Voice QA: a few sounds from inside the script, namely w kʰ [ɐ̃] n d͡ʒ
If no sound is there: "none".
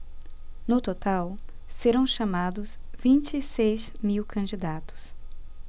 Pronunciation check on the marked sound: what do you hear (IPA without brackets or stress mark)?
ɐ̃